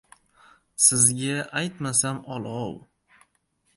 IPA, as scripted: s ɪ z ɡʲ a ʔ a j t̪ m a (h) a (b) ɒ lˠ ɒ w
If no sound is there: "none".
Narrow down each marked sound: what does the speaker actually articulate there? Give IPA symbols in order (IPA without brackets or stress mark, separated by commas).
s, m